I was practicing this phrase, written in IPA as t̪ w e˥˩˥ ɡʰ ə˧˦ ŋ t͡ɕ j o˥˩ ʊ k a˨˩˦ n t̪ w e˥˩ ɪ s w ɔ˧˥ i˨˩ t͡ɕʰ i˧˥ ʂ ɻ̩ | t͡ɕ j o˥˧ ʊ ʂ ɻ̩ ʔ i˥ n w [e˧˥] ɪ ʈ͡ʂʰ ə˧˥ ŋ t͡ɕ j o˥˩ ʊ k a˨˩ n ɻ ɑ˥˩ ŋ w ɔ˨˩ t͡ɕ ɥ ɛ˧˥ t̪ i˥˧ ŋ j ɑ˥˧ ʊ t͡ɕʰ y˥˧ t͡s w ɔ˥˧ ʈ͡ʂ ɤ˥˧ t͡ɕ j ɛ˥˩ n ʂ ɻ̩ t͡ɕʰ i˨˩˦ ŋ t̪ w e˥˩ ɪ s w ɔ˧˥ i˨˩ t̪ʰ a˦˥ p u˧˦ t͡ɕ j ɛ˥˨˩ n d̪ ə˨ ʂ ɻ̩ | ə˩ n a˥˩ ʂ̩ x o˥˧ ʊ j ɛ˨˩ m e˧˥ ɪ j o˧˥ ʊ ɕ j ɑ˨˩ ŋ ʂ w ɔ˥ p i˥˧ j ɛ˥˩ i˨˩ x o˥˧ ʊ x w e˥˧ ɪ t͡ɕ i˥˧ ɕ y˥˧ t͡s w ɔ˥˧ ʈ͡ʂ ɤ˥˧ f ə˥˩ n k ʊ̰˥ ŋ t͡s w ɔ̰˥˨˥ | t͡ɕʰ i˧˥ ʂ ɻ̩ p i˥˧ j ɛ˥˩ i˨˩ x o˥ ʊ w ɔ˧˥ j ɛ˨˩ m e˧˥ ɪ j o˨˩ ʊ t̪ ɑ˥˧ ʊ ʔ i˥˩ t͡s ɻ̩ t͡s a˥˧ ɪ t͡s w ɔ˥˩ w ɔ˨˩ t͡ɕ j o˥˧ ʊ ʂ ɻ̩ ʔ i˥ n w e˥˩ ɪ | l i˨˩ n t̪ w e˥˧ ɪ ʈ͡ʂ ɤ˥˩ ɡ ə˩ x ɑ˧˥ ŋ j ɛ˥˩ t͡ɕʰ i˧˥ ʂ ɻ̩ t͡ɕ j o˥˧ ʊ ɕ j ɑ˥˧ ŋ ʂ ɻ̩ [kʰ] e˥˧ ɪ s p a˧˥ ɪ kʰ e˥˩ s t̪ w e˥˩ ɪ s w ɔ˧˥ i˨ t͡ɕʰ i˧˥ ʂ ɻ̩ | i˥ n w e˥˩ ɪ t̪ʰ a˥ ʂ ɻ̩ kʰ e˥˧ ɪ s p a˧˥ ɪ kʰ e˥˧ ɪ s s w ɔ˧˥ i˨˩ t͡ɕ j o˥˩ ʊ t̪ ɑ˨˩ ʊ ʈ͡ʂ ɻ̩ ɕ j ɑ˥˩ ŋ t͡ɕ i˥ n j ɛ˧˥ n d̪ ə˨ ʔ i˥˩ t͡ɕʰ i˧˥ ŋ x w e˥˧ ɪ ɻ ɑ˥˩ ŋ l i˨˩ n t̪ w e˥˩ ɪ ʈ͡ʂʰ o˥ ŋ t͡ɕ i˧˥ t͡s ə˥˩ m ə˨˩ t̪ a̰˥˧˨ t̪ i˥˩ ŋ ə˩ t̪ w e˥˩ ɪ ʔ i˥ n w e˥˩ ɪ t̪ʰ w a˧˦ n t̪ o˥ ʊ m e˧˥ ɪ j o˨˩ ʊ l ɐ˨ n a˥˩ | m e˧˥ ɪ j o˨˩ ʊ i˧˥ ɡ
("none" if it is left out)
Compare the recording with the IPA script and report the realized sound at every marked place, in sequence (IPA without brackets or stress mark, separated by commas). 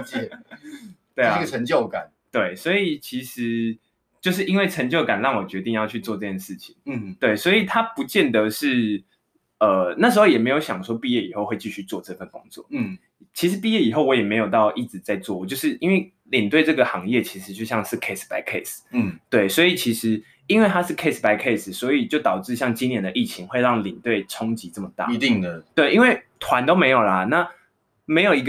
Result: e˥˩, kʰ